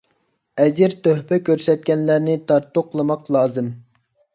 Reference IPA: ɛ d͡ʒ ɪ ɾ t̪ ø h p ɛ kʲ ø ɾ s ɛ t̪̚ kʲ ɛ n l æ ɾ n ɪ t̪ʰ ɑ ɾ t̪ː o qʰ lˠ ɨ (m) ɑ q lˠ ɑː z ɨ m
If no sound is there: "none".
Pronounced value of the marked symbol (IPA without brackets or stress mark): m